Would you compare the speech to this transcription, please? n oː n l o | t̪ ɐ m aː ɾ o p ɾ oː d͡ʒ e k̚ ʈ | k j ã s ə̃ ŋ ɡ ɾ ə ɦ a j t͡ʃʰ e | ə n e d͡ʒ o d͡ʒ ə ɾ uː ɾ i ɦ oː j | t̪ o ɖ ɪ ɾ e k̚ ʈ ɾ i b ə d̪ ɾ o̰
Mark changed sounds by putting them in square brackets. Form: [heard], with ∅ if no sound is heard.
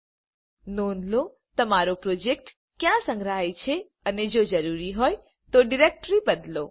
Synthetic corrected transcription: n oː n l o | t̪ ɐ m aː ɾ o p ɾ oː d͡ʒ e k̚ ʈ | k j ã s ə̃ ŋ ɡ ɾ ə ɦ a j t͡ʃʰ e | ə n e d͡ʒ o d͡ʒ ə ɾ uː ɾ i ɦ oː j | t̪ o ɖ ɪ ɾ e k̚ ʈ ɾ i b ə d̪ [l] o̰